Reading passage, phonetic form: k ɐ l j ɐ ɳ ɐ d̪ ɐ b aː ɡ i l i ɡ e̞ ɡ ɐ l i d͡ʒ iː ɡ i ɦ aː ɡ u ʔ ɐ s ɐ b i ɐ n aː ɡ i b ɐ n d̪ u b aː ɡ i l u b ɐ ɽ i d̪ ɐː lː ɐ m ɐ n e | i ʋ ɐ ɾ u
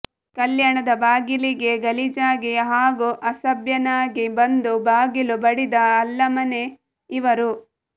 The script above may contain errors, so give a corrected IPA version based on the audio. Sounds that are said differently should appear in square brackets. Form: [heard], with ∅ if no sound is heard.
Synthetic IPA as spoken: k ɐ l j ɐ ɳ ɐ d̪ ɐ b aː ɡ i l i ɡ e̞ ɡ ɐ l i d͡ʒ [aː] ɡ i ɦ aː ɡ u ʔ ɐ s ɐ b [j] ɐ n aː ɡ i b ɐ n d̪ u b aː ɡ i l u b ɐ ɽ i d̪ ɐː lː ɐ m ɐ n e | i ʋ ɐ ɾ u

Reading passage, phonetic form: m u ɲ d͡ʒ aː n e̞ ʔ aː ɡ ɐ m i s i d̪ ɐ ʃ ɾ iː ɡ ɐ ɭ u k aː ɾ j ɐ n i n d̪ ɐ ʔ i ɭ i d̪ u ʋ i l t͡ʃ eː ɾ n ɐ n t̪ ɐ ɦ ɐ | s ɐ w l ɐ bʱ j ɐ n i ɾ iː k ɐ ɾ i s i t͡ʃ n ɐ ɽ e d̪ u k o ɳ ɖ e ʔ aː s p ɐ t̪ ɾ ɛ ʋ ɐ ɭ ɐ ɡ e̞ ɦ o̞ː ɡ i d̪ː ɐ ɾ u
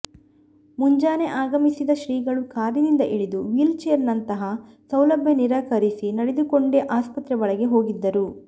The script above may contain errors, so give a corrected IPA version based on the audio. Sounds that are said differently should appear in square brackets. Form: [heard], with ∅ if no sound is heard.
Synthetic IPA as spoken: m u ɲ d͡ʒ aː n e̞ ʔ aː ɡ ɐ m i s i d̪ ɐ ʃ ɾ iː ɡ ɐ ɭ u k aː ɾ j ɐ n i n d̪ ɐ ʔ i ɭ i d̪ u ʋ i l t͡ʃ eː ɾ n ɐ n t̪ ɐ ɦ ɐ | s ɐ w l ɐ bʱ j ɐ n i ɾ [aː] k ɐ ɾ i s i [∅] n ɐ ɽ e d̪ u k o ɳ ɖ e ʔ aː s p ɐ t̪ ɾ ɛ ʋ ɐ ɭ ɐ ɡ e̞ ɦ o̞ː ɡ i d̪ː ɐ ɾ u

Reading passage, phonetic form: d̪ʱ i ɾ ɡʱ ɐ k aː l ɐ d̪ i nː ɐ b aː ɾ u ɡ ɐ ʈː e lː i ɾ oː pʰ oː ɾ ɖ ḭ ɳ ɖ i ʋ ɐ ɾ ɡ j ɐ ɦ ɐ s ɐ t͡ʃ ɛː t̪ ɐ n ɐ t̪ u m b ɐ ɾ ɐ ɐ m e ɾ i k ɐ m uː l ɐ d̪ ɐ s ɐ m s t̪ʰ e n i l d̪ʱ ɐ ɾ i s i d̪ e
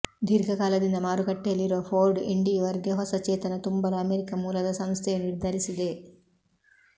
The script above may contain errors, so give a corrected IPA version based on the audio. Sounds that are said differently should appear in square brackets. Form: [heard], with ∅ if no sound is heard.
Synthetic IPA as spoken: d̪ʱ i ɾ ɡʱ ɐ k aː l ɐ d̪ i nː ɐ [m] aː ɾ u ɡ ɐ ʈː e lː i ɾ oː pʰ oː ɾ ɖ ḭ ɳ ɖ i ʋ ɐ ɾ ɡ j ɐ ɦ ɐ s ɐ t͡ʃ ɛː t̪ ɐ n ɐ t̪ u m b ɐ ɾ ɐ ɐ m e ɾ i k ɐ m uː l ɐ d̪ ɐ s ɐ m s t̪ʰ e n i [ɾ] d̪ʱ ɐ ɾ i s i d̪ e

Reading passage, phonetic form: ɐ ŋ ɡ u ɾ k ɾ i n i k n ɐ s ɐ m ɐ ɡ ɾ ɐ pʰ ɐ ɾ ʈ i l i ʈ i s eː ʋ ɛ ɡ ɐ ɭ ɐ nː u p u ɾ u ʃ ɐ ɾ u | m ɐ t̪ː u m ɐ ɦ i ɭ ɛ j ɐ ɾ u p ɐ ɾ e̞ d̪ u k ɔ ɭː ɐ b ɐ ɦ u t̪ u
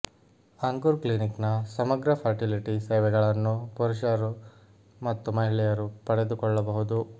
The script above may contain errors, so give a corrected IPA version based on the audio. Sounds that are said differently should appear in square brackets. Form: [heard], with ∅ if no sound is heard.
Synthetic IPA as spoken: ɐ ŋ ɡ u ɾ k [l] i n i k n ɐ s ɐ m ɐ ɡ ɾ ɐ pʰ ɐ ɾ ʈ i l i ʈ i s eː ʋ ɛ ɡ ɐ ɭ ɐ nː u p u ɾ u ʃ ɐ ɾ u | m ɐ t̪ː u m ɐ ɦ i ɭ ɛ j ɐ ɾ u p ɐ [ɽ] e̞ d̪ u k ɔ ɭː ɐ b ɐ ɦ u [d̪] u

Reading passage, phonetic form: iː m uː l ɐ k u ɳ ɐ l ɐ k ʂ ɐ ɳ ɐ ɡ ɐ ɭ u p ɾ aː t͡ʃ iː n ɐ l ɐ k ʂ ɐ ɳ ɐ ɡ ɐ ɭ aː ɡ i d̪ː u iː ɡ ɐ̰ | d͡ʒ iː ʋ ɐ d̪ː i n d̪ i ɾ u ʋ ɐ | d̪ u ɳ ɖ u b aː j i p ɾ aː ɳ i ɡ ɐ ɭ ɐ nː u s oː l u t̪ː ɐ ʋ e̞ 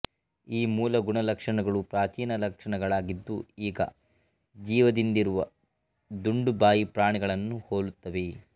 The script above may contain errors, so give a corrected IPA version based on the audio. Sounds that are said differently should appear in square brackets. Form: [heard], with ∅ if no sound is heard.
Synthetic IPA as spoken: iː m uː l ɐ [ɡ] u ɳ ɐ l ɐ k ʂ ɐ ɳ ɐ ɡ ɐ ɭ u p ɾ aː t͡ʃ iː n ɐ l ɐ k ʂ ɐ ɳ ɐ ɡ ɐ ɭ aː ɡ i d̪ː u iː ɡ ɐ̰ | d͡ʒ iː ʋ ɐ [d̪] i n d̪ i ɾ u ʋ ɐ | d̪ u ɳ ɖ u b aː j i p ɾ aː ɳ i ɡ ɐ ɭ ɐ nː u [h] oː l u t̪ː ɐ ʋ e̞

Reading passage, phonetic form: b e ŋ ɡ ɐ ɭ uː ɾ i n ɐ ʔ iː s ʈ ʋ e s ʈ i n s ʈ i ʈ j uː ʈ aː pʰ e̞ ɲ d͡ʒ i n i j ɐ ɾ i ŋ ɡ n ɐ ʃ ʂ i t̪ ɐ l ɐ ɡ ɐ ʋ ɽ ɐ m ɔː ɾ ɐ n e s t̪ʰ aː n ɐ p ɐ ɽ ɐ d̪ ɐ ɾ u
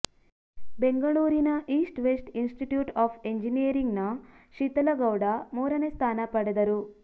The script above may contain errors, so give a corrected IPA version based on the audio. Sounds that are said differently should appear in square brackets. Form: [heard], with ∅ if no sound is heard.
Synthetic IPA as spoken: b e ŋ ɡ ɐ ɭ uː ɾ i n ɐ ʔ iː s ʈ ʋ e s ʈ i n s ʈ i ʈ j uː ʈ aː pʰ e̞ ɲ d͡ʒ i n i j ɐ ɾ i ŋ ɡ n ɐ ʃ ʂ i t̪ ɐ l ɐ ɡ ɐ [w] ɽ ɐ m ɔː ɾ ɐ n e s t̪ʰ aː n ɐ p ɐ ɽ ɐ d̪ ɐ ɾ u

